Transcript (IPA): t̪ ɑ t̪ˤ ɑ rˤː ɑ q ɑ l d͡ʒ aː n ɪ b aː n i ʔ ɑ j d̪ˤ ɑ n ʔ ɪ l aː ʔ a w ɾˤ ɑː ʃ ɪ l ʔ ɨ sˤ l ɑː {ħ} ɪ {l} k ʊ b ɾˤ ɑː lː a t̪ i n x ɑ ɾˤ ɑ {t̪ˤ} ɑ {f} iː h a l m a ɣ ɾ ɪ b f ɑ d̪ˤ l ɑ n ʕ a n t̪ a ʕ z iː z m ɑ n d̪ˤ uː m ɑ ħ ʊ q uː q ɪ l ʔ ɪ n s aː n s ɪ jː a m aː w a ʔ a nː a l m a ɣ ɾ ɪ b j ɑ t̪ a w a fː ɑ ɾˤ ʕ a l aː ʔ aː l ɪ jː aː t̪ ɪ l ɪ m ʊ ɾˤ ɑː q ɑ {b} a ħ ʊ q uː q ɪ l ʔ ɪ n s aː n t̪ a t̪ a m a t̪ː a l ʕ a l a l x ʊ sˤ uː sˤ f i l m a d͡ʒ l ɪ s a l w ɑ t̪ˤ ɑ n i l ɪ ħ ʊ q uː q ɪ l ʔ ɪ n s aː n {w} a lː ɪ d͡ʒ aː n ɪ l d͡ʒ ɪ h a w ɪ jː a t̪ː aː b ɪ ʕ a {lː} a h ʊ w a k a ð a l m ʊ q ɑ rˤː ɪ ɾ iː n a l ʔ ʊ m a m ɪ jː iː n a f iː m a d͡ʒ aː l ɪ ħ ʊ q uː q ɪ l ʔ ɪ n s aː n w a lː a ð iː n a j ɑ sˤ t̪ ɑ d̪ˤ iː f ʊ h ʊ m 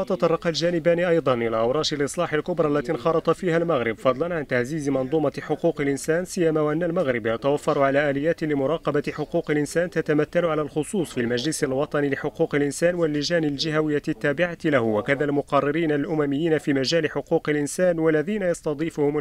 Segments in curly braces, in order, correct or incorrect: correct, correct, correct, correct, correct, correct, incorrect: l

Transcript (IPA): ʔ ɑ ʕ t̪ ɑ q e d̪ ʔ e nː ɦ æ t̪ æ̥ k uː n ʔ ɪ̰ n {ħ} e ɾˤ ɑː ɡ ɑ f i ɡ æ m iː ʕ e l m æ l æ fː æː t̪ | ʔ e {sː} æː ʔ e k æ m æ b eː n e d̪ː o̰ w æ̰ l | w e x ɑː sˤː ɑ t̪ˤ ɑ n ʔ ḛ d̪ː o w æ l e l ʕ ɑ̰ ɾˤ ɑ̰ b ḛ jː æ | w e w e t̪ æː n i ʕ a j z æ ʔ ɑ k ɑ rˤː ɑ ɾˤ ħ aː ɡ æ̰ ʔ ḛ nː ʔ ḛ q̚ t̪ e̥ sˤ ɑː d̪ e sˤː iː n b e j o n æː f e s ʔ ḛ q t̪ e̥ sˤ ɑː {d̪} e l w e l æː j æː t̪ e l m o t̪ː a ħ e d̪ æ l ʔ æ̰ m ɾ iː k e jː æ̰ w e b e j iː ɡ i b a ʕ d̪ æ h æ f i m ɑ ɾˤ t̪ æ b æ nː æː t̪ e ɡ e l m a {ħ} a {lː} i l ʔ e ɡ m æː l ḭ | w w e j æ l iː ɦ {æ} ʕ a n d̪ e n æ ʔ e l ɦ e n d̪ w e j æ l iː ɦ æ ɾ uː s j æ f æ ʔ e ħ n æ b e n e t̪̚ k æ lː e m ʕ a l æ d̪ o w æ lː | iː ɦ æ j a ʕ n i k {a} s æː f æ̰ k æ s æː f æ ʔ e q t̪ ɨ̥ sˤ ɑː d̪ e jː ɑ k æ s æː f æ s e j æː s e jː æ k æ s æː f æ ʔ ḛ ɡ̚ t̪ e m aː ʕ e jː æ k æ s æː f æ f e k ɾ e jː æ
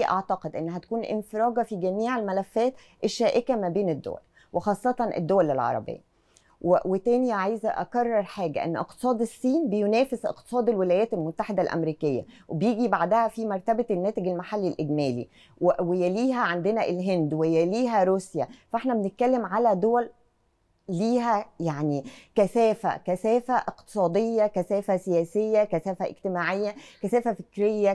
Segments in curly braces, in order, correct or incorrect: incorrect: f, incorrect: ʃː, correct, correct, correct, correct, incorrect: æ

